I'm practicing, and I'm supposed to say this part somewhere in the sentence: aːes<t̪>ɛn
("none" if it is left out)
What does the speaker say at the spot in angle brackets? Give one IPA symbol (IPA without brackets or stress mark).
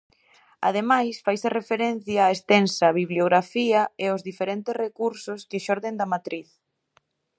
t̪